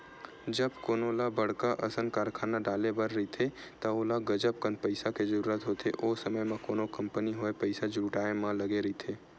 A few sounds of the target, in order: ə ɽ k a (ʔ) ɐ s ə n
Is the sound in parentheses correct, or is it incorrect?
correct